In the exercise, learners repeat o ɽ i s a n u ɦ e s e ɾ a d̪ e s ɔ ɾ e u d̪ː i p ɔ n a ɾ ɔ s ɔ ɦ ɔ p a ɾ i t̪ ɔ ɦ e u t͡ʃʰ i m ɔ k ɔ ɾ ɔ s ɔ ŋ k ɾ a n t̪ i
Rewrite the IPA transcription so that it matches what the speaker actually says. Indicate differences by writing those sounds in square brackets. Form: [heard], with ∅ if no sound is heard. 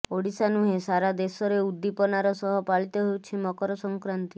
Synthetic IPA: o ɽ i s a n u ɦ e s [a] ɾ a d̪ e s ɔ ɾ e u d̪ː i p ɔ n a ɾ ɔ s ɔ ɦ ɔ p a [ɭ] i t̪ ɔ ɦ e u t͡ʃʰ i m ɔ k ɔ ɾ ɔ s ɔ ŋ k ɾ a n t̪ i